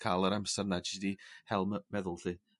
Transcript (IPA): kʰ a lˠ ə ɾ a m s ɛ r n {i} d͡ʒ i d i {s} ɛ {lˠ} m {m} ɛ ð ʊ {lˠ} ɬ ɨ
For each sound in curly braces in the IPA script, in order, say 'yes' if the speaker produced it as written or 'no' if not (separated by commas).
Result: no, no, yes, yes, yes